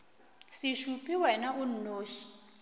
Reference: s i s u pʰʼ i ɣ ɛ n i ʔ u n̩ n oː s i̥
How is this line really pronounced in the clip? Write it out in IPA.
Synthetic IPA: s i ʃ u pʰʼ i w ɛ n a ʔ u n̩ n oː ʃ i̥